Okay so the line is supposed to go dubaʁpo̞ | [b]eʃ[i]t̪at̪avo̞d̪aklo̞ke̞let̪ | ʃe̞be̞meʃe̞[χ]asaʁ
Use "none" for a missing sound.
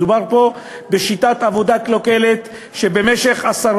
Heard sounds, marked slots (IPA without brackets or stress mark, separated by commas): b, i, χ